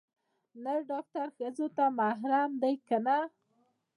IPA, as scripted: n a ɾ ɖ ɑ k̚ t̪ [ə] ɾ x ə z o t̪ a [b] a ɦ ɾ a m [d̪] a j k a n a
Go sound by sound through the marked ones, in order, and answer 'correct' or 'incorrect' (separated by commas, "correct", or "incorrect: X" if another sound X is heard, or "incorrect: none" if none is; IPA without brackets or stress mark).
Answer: incorrect: a, incorrect: m, correct